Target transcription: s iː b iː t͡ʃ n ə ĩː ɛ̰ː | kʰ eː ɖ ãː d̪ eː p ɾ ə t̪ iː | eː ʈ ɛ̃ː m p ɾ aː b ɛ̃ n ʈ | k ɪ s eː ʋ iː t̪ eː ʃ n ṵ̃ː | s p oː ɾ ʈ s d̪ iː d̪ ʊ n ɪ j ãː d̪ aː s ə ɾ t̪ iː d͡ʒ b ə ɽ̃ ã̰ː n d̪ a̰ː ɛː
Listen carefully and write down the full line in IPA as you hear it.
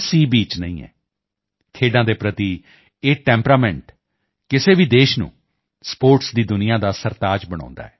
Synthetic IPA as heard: s iː b iː t͡ʃ n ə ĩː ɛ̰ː | kʰ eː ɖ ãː d̪ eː p ɾ ə t̪ iː | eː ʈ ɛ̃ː m p ɾ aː m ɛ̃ ɳ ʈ | k ɪ s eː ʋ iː d̪ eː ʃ n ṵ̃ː | s p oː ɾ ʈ s d̪ iː d̪ ʊ n ɪ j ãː d̪ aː s ə ɾ t̪ aː d͡ʒ b ə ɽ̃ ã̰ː n d̪ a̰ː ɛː